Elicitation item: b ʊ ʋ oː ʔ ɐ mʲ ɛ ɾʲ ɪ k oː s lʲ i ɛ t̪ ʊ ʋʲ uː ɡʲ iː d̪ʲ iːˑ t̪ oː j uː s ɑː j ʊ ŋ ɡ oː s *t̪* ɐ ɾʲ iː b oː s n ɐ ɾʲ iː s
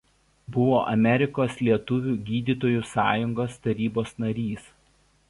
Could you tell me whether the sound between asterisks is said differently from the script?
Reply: no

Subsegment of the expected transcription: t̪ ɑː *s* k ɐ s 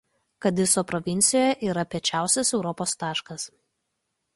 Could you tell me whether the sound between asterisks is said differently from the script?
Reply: yes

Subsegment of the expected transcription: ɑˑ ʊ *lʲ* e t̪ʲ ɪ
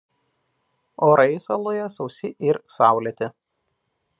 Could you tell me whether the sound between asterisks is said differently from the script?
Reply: no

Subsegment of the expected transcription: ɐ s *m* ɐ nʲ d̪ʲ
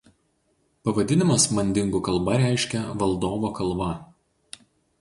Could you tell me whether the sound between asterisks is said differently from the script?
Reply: no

